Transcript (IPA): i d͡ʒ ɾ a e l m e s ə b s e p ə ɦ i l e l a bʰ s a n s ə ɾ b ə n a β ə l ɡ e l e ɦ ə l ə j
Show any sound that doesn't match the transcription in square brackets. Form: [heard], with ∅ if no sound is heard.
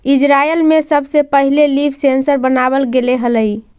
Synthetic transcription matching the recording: i d͡ʒ ɾ a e l m e s ə b s e p ə ɦ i l e l [i] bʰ s [e] n s ə ɾ b ə n a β ə l ɡ e l e ɦ ə l ə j